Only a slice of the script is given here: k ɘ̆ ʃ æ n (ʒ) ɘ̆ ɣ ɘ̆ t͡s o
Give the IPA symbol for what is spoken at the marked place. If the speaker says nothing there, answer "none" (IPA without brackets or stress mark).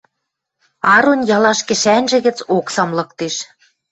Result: ʒ